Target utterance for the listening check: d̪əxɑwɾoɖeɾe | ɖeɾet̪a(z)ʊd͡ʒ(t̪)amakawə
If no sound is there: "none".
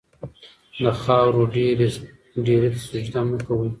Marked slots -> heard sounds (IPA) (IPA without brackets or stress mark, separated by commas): s, d̪